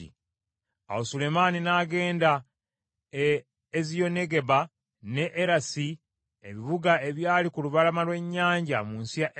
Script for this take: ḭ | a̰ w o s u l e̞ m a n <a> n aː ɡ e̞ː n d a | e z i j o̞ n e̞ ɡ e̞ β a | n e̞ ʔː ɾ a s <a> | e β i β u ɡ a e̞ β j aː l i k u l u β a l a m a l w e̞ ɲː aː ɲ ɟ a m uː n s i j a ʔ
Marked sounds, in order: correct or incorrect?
incorrect, incorrect

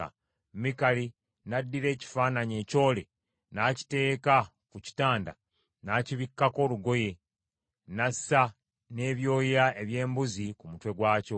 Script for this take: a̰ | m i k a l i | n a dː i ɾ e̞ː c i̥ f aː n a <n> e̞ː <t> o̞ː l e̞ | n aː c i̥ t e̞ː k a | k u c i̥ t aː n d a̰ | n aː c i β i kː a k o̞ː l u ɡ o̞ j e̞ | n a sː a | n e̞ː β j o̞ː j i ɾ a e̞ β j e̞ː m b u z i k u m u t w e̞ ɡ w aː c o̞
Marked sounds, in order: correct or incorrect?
incorrect, incorrect

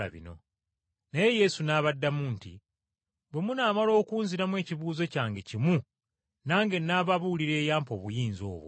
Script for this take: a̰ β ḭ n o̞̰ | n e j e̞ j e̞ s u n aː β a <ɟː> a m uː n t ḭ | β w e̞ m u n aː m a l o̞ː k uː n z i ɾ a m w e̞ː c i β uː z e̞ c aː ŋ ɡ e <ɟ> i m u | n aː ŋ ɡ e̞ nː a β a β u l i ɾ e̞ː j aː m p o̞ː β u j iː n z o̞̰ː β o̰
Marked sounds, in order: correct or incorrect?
incorrect, incorrect

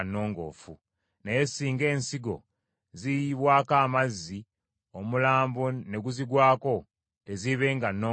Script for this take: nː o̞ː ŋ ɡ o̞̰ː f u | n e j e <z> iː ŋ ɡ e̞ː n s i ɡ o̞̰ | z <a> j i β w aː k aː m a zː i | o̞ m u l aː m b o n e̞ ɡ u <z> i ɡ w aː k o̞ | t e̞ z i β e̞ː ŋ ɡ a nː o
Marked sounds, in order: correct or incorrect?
incorrect, incorrect, correct

